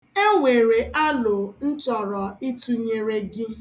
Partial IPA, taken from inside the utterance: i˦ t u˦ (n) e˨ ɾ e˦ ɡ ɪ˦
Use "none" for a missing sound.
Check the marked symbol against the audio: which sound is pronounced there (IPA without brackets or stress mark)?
ɲ